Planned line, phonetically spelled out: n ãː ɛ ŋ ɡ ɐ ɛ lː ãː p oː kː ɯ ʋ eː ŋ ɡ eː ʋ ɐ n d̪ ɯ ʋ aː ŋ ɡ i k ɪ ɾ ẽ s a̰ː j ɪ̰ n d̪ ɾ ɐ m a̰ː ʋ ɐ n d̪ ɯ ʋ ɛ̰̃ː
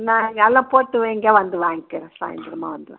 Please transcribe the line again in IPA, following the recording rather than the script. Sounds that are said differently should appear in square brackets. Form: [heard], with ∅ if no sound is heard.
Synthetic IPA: n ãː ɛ ŋ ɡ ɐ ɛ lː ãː p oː [ʈː] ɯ ʋ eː ŋ ɡ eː ʋ ɐ n d̪ ɯ ʋ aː ŋ ɡ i k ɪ ɾ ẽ s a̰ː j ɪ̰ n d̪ ɾ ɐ m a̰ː ʋ ɐ n d̪ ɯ ʋ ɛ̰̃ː